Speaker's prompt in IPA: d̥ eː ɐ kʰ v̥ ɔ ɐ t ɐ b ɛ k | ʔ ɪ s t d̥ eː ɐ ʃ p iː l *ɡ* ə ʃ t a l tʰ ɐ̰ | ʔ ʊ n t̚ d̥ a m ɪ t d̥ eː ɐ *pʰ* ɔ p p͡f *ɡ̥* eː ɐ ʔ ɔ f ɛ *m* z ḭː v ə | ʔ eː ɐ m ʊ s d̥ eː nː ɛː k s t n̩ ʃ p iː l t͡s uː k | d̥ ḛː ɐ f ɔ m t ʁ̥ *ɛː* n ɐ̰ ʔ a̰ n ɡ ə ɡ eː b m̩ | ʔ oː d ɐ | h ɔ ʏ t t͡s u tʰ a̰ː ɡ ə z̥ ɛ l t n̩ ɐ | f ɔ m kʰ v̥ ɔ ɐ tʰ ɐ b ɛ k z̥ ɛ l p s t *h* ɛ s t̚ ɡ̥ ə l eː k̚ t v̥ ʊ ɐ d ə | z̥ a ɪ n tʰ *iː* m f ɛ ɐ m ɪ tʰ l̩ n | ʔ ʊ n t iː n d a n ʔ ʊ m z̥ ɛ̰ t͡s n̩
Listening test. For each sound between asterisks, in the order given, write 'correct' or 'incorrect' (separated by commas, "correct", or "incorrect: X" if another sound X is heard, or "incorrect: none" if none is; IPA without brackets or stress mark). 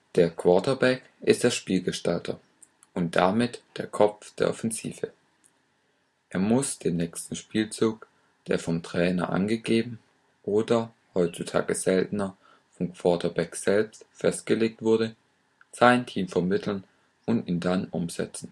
correct, incorrect: kʰ, incorrect: d̥, incorrect: n, correct, incorrect: f, correct